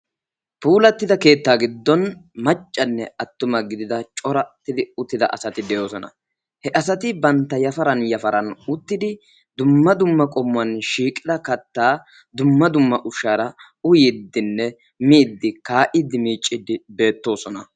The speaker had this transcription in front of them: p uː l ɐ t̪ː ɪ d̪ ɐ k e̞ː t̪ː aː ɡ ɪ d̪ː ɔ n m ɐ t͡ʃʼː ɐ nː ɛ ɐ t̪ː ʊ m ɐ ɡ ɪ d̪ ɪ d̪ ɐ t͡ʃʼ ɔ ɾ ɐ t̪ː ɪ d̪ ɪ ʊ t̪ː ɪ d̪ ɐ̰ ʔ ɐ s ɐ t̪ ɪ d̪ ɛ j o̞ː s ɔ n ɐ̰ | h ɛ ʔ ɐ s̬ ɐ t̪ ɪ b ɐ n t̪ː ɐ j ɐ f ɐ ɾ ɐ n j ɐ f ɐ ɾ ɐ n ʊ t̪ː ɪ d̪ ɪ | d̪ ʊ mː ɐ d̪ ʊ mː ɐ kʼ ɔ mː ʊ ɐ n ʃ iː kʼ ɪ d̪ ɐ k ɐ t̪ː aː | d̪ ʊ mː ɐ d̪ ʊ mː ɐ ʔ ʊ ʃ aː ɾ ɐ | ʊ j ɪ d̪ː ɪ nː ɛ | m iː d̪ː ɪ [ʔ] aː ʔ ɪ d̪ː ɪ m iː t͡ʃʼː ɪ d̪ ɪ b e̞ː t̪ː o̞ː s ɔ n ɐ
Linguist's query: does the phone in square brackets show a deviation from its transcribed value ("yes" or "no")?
yes